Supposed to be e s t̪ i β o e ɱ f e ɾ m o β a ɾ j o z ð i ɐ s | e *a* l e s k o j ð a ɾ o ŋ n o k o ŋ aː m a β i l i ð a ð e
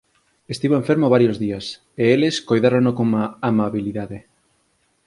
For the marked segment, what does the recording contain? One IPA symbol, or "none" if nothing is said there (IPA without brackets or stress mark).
e